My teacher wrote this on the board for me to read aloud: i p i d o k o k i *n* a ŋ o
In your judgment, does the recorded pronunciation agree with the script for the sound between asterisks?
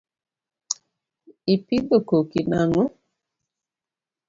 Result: yes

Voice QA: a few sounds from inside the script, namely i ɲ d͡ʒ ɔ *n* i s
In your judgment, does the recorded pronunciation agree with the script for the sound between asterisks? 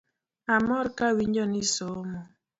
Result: yes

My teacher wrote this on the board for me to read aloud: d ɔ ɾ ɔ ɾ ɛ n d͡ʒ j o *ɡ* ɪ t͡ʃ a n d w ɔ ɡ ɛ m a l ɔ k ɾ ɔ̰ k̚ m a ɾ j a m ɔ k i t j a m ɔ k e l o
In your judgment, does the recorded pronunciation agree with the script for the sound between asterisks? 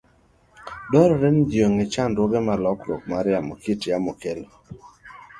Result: no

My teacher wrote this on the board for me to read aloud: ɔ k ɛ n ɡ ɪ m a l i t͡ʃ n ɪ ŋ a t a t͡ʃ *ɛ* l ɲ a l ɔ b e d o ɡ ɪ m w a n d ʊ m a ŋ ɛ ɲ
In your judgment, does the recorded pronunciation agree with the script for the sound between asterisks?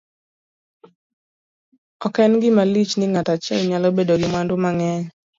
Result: yes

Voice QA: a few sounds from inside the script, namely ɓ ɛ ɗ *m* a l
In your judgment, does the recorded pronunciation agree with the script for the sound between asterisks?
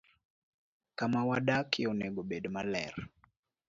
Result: yes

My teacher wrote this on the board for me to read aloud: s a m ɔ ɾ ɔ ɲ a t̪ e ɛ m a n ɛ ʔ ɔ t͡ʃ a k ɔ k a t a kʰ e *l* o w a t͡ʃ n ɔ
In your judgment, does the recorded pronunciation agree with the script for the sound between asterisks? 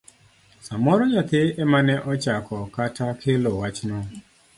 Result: yes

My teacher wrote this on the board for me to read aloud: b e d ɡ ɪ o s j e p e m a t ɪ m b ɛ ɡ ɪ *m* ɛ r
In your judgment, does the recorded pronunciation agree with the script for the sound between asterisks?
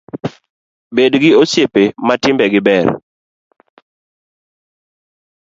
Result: no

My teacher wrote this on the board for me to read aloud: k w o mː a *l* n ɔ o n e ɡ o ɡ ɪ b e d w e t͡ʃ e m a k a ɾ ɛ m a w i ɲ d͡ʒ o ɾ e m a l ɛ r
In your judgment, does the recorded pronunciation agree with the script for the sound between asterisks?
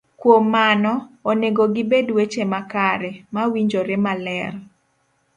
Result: no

